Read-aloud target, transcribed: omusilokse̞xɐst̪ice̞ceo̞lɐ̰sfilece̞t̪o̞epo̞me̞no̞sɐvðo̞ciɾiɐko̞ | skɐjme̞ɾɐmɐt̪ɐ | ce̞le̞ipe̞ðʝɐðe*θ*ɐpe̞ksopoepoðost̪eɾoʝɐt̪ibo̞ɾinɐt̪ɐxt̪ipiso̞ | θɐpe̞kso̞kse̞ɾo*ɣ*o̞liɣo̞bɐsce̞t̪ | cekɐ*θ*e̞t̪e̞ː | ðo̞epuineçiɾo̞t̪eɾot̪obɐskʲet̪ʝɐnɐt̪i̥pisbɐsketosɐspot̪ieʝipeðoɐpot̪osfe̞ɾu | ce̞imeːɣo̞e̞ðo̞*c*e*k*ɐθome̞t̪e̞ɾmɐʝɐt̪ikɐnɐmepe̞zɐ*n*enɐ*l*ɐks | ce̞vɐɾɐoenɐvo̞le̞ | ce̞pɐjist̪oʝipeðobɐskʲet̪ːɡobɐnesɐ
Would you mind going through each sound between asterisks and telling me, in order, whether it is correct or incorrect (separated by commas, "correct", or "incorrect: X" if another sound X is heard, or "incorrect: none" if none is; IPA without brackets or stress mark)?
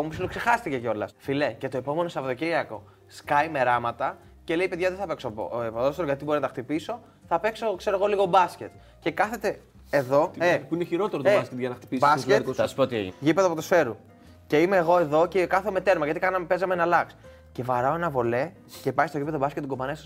correct, correct, correct, correct, correct, incorrect: m, correct